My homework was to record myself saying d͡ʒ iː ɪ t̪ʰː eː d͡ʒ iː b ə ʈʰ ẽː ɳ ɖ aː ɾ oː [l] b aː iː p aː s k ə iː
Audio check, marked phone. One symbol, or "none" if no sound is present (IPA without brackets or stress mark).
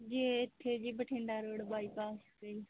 ɽ